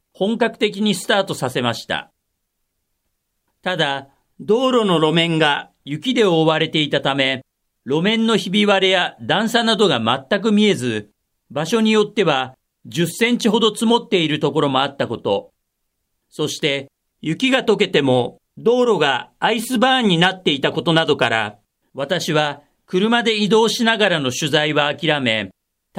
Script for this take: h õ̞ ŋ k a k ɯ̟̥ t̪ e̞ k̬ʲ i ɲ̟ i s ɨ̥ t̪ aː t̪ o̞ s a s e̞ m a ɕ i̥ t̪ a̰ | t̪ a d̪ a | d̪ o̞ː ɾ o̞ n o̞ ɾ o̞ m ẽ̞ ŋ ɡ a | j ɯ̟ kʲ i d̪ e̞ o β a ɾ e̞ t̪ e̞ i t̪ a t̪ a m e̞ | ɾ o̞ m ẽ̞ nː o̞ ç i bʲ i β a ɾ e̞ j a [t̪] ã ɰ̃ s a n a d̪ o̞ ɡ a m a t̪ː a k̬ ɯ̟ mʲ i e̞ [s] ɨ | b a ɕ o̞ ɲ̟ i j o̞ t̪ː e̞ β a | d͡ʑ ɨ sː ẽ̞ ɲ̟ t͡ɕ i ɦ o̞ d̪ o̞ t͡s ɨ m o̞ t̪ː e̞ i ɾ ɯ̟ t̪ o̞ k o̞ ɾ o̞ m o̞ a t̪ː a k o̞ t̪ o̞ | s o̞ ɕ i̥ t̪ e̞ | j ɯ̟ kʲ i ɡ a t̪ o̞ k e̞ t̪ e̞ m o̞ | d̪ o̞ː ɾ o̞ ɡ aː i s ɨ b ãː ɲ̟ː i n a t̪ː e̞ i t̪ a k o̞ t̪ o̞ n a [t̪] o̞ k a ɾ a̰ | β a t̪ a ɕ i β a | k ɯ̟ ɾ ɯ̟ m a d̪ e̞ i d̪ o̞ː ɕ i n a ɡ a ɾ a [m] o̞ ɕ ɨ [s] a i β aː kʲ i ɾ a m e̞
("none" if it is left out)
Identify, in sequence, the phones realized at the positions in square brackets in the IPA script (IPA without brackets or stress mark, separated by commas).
d̪, z, d̪, n, z